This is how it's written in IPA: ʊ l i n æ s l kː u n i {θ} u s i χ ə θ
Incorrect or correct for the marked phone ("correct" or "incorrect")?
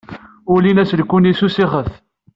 incorrect